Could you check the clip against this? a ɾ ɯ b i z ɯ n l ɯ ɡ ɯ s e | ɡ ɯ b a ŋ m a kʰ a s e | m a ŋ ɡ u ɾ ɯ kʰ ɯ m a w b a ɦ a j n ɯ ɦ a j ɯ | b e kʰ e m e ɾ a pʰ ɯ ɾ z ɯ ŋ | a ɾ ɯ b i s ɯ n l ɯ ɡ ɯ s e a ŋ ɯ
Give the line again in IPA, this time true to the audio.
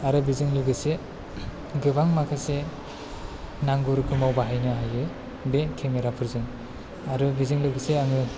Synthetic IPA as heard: a ɾ ɯ b i z ɯ ŋ l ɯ ɡ ɯ s e | ɡ ɯ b a ŋ m a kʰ a s e | n a ŋ ɡ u ɾ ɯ kʰ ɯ m a w b a ɦ a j n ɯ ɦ a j ɯ | b e kʰ e m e ɾ a pʰ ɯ ɾ z ɯ ŋ | a ɾ ɯ b i z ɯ ŋ l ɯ ɡ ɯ s e a ŋ ɯ

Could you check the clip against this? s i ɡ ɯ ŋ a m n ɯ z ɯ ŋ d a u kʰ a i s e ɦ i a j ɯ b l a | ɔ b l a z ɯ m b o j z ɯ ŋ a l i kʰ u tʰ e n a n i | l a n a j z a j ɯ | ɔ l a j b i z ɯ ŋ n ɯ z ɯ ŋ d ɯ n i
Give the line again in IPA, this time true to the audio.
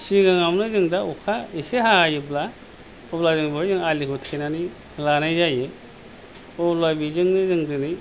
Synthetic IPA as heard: s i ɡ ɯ ŋ a m n ɯ z ɯ ŋ d a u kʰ a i s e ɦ a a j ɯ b l a | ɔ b l a z ɯ ŋ b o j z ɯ ŋ a l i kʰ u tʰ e n a n i | l a n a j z a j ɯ | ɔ l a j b i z ɯ ŋ n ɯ z ɯ ŋ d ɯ n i

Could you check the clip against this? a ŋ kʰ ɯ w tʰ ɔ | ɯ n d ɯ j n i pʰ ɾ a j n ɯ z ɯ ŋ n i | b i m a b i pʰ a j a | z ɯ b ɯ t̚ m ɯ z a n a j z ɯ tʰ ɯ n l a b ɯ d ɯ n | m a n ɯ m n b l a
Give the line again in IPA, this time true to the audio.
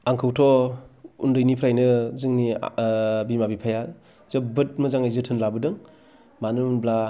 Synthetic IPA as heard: a ŋ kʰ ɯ w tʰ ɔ | u n d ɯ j n i pʰ ɾ a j n ɯ z ɯ ŋ n i | b i m a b i pʰ a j a | z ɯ b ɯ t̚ m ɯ z a ŋ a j z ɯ tʰ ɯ n l a b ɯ d ɯ ŋ | m a n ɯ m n b l a

